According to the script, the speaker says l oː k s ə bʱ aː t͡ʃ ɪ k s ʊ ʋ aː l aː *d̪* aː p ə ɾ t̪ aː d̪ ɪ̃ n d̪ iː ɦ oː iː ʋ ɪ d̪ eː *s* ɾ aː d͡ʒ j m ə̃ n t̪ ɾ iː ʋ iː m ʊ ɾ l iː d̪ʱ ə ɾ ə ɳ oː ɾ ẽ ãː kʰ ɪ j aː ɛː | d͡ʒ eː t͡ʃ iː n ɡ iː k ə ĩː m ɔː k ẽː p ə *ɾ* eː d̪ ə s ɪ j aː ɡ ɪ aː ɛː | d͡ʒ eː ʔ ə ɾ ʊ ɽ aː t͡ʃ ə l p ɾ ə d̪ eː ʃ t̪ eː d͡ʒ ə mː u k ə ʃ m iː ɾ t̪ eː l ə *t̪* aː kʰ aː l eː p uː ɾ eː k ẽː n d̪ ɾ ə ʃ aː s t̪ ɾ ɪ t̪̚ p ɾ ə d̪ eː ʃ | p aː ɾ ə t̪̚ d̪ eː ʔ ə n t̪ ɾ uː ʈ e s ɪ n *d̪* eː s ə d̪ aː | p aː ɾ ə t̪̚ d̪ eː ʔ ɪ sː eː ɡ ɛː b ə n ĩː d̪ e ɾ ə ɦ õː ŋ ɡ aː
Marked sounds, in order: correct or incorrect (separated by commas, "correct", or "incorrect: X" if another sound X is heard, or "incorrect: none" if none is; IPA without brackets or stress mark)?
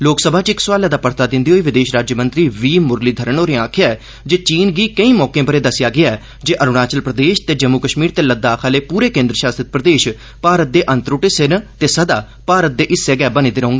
correct, incorrect: ʃ, correct, incorrect: d̪, incorrect: t̪